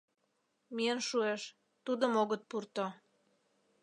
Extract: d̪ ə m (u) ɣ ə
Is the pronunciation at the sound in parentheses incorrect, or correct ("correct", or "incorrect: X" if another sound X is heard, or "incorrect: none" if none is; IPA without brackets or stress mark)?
incorrect: o